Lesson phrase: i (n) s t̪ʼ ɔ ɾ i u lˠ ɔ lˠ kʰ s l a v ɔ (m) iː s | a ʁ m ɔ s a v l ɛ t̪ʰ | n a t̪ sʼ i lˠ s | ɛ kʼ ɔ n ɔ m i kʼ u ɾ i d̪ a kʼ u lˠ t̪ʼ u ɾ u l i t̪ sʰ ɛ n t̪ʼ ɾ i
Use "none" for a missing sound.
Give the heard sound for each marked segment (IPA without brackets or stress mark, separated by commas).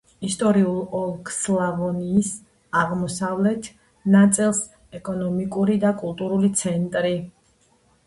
none, n